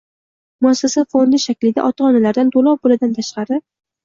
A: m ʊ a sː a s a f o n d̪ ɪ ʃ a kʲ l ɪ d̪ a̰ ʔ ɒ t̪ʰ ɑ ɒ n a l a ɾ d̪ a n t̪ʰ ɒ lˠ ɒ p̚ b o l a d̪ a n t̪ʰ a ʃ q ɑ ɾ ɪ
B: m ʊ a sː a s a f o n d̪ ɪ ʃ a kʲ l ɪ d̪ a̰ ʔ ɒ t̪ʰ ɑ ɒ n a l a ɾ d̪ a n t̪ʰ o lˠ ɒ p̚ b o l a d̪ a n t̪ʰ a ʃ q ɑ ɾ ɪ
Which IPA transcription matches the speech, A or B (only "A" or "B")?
B